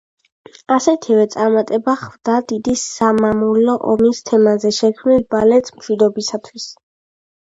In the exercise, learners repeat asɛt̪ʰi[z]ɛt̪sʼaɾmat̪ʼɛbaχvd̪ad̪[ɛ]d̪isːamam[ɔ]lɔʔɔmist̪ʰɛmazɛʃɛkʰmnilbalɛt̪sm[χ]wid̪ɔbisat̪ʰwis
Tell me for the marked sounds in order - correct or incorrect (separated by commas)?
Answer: incorrect, incorrect, incorrect, incorrect